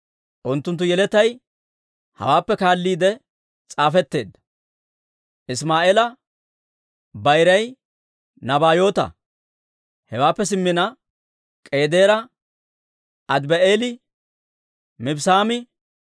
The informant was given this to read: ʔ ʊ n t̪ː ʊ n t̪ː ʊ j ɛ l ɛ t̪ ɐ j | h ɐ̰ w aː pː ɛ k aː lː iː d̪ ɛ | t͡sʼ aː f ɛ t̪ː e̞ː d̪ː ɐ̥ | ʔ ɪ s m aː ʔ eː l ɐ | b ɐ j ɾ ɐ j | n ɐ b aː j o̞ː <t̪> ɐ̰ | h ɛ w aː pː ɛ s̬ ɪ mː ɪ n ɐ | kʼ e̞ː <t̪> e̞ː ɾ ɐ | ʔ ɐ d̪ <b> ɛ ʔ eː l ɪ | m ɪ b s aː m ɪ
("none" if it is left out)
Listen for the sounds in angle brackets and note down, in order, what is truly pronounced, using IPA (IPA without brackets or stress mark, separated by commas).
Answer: t̪, d̪, b